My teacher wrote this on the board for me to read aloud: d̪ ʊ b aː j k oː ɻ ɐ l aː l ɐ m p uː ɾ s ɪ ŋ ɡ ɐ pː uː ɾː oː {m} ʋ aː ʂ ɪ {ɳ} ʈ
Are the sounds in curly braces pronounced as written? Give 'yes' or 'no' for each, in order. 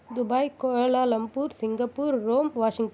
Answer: yes, no

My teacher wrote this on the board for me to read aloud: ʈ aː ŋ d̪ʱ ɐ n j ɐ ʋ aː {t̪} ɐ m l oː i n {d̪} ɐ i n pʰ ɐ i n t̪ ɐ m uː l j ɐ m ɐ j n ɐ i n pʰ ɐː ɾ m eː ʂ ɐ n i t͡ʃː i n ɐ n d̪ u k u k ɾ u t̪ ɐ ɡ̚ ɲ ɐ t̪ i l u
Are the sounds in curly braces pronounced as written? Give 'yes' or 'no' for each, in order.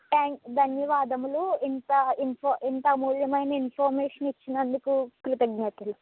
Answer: no, no

